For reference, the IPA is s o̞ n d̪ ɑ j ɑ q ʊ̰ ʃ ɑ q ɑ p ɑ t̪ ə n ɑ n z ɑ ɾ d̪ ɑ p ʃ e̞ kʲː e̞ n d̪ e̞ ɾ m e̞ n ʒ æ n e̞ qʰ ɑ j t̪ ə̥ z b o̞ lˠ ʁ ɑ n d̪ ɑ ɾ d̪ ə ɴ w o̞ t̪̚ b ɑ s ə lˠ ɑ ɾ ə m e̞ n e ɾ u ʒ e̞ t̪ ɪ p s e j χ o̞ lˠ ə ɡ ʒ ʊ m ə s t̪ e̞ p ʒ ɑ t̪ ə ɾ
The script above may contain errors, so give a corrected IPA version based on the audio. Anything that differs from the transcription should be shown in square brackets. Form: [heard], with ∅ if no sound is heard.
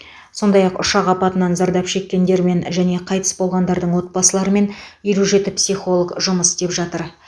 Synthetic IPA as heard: s o̞ n d̪ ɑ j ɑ q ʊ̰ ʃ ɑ q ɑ p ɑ t̪ ə n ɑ n z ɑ ɾ d̪ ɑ p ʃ e̞ kʲː e̞ n d̪ e̞ ɾ m e̞ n ʒ æ n e̞ qʰ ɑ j t̪ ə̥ [s] b o̞ lˠ ʁ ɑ n d̪ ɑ ɾ d̪ ə ɴ w o̞ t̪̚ b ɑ s ə lˠ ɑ ɾ ə m e̞ n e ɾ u ʒ e̞ t̪ ɪ p s [i] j χ o̞ lˠ ə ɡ ʒ ʊ m ə s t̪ e̞ p ʒ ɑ t̪ ə ɾ

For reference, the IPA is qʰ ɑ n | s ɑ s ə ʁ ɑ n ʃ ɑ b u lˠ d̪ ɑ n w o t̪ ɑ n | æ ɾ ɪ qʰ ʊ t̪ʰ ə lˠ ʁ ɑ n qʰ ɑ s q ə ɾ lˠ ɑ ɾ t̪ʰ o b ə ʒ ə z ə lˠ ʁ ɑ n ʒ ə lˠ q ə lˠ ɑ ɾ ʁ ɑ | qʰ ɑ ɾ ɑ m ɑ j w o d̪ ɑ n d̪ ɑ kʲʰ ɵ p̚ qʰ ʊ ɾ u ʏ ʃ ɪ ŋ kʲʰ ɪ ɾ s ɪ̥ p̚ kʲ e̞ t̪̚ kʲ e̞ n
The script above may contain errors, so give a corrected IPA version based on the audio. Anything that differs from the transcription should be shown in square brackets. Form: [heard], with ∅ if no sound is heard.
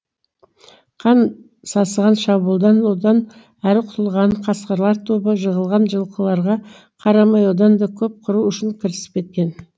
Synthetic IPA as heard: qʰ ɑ n | s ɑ s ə ʁ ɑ n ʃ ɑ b u lˠ d̪ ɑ n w o [d̪] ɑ n | æ ɾ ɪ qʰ ʊ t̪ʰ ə lˠ ʁ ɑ n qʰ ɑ s q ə ɾ lˠ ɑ ɾ t̪ʰ o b ə ʒ ə [ʁ] ə lˠ ʁ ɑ n ʒ ə lˠ q ə lˠ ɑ ɾ ʁ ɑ | qʰ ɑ ɾ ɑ m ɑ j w o d̪ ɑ n d̪ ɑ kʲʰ ɵ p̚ qʰ ʊ ɾ u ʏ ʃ ɪ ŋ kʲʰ ɪ ɾ s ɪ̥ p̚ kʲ e̞ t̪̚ kʲ e̞ n

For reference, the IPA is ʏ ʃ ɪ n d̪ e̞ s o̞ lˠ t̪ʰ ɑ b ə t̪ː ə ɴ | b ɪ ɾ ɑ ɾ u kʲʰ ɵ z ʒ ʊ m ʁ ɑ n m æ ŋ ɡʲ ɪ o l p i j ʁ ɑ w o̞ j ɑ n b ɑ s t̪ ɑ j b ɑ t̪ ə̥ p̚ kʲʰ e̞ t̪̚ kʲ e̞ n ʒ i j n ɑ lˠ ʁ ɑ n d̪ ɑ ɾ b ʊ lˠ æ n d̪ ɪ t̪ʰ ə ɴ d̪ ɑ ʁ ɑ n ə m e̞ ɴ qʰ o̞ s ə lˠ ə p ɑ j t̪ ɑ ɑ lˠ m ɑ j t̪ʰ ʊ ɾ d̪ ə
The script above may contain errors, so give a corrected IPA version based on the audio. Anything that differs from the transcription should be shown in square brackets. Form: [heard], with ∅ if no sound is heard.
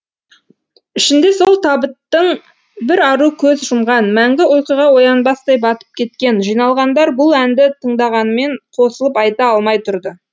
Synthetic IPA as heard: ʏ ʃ ɪ n d̪ e̞ s o̞ lˠ t̪ʰ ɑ b ə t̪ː ə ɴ | b ɪ ɾ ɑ ɾ u kʲʰ ɵ z ʒ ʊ m ʁ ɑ n m æ ŋ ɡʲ ɪ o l [q] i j ʁ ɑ w o̞ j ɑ n b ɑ s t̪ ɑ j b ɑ t̪ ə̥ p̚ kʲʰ e̞ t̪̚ kʲ e̞ n ʒ i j n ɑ lˠ ʁ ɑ n d̪ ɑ ɾ b ʊ lˠ æ n d̪ ɪ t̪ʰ ə ɴ d̪ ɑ ʁ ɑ n ə m e̞ ɴ qʰ o̞ s ə lˠ ə p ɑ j t̪ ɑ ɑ lˠ m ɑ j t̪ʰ ʊ ɾ d̪ ə

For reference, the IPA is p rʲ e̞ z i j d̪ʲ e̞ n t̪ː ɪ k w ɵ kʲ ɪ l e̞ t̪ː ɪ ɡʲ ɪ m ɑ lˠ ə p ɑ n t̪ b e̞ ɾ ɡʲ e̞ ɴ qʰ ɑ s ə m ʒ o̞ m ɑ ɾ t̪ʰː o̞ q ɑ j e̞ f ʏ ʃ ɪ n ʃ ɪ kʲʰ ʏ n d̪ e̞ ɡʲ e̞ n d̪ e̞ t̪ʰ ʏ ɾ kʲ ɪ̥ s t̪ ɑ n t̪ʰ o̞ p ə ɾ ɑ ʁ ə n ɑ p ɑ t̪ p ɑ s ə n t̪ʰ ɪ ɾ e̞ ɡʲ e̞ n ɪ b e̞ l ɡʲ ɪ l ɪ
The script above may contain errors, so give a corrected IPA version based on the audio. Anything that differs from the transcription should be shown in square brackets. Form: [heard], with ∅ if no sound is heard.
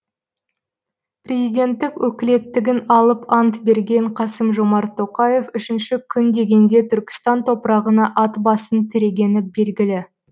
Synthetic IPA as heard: p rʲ e̞ z i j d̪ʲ e̞ n t̪ː ɪ k w ɵ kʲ ɪ l e̞ t̪ː ɪ ɡʲ ɪ [n] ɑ lˠ ə p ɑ n t̪ b e̞ ɾ ɡʲ e̞ ɴ qʰ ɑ s ə m ʒ o̞ m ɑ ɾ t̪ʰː o̞ q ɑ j e̞ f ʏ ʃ ɪ n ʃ ɪ kʲʰ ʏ n d̪ e̞ ɡʲ e̞ n d̪ e̞ t̪ʰ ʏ ɾ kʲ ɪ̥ s t̪ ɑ n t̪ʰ o̞ p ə ɾ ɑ ʁ ə n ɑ [ʔ] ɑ t̪ [b] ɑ s ə n t̪ʰ ɪ ɾ e̞ ɡʲ e̞ n ɪ b e̞ l ɡʲ ɪ l ɪ

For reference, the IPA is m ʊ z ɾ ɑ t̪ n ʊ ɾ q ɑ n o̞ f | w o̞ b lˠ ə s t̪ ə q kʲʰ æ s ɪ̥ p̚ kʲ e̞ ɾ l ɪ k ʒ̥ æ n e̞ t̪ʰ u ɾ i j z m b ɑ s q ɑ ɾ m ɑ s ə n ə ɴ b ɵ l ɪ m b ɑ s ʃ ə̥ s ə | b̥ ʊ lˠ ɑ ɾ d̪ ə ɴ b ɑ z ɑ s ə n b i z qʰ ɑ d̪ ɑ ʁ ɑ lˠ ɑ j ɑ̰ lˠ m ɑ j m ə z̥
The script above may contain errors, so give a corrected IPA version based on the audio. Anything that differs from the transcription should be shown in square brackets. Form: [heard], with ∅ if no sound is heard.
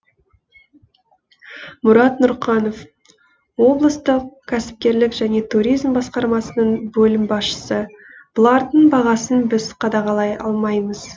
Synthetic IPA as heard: m ʊ [∅] ɾ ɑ t̪ n ʊ ɾ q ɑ n o̞ f | w o̞ b lˠ ə s t̪ ə q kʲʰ æ s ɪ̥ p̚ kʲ e̞ ɾ l ɪ k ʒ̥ æ n e̞ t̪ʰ u ɾ i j z m b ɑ s q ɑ ɾ m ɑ s ə n ə ɴ b ɵ l ɪ m b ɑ s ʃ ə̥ s ə | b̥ ʊ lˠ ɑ ɾ d̪ ə ɴ b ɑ [ʁ] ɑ s ə n b [ɪ] z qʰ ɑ d̪ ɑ ʁ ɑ lˠ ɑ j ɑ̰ lˠ m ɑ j m ə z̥

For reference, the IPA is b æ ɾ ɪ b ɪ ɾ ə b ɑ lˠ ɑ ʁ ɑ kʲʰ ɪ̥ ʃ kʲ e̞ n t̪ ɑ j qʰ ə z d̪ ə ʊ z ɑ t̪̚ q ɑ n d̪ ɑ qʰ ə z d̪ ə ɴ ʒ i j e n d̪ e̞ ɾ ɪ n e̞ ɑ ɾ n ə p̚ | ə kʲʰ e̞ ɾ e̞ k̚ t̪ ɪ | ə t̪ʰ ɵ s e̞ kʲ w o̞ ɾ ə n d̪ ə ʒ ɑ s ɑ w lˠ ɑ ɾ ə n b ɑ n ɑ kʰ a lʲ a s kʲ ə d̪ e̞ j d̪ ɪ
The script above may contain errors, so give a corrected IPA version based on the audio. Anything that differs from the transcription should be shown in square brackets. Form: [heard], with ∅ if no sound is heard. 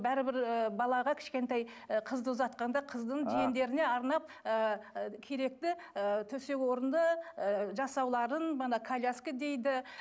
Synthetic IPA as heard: b æ ɾ ɪ b ɪ ɾ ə b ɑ lˠ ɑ ʁ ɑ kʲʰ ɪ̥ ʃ kʲ e̞ n t̪ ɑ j qʰ ə z d̪ ə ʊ z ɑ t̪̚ q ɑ n d̪ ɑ qʰ ə z d̪ ə ɴ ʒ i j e n d̪ e̞ ɾ ɪ n e̞ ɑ ɾ n [ɑ] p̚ | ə kʲʰ e̞ ɾ e̞ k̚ t̪ ɪ | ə t̪ʰ ɵ s e̞ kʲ w o̞ ɾ ə n d̪ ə ʒ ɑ s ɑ w lˠ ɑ ɾ ə n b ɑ n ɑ kʰ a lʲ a s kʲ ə d̪ e̞ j d̪ ɪ

